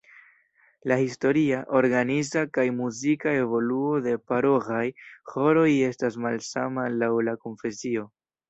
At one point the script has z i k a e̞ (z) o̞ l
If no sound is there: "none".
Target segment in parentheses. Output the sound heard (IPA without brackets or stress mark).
v